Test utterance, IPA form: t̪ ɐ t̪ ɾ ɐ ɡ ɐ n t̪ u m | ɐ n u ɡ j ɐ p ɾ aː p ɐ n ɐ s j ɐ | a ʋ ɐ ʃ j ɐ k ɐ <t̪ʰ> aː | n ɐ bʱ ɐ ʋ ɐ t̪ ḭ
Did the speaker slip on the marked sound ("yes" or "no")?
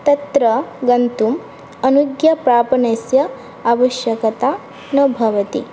yes